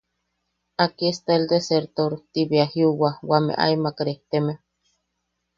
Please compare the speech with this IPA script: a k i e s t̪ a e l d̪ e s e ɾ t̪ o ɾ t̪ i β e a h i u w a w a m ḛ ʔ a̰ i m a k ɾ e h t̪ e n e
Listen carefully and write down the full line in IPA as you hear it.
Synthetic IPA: a k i e s t̪ a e l d̪ e s e ɾ t̪ o ɾ t̪ i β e a h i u w a w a m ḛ ʔ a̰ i m a k ɾ e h t̪ e m e